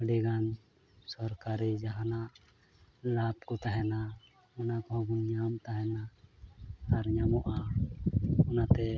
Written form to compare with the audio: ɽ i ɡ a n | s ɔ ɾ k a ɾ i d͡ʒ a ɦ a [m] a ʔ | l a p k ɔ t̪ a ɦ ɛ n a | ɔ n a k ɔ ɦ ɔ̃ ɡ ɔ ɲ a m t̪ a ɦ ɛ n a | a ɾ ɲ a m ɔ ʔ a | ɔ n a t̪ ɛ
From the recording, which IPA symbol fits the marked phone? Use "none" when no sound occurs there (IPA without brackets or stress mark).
n